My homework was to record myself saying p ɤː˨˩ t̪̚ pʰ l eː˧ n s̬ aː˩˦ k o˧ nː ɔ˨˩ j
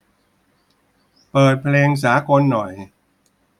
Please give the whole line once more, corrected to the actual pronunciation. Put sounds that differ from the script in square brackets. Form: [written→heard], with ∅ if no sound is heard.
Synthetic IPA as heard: p ɤː˨˩ t̪̚ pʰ l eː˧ [n→ŋ] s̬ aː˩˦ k o˧ nː ɔ˨˩ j